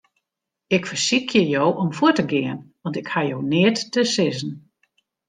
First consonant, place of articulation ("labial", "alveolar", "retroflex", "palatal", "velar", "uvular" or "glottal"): velar